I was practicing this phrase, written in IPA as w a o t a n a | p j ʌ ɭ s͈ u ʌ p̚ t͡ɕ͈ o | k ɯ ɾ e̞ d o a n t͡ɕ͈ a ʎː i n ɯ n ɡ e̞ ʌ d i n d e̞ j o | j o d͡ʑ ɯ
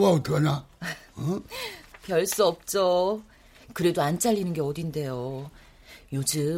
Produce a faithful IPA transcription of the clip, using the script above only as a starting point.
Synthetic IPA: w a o t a n a | p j ʌ ɭ s͈ u ʌ p̚ t͡ɕ͈ o | k ɯ ɾ e̞ d o a n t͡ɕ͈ a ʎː i n ɯ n ɡ e̞ ʌ d i n d e̞ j o | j o d͡ʑ ɯ